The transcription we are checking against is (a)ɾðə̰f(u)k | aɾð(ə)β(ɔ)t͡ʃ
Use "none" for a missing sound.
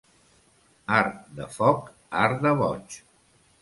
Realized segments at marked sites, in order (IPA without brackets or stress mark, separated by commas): a, ɔ, ə, ɔ